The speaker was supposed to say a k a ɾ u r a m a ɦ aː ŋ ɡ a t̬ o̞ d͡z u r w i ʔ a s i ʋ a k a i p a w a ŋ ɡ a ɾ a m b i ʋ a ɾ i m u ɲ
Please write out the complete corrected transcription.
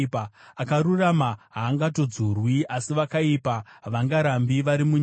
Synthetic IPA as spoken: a k a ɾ u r a m a ɦ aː ŋ ɡ a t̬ o̞ d͡z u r w i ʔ a s i ʋ a k a i p a ʋ a ŋ ɡ a ɾ a m b i ʋ a ɾ i m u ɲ